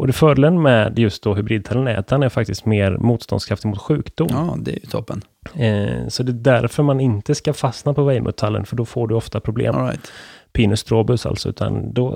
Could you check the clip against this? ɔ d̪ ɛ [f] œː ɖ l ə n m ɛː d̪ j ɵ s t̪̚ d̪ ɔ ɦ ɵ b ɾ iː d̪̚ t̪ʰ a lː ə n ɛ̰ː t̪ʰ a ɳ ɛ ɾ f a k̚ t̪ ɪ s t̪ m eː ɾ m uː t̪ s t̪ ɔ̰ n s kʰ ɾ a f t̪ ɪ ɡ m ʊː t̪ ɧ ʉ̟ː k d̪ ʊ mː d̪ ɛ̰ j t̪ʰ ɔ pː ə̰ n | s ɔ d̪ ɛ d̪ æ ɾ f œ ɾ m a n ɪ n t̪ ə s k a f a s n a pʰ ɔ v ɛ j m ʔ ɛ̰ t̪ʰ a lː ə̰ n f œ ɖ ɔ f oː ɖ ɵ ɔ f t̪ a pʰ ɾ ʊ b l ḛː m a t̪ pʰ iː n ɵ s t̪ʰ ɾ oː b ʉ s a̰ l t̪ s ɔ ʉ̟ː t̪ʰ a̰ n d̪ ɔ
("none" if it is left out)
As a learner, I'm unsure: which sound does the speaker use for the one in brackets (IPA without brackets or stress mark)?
f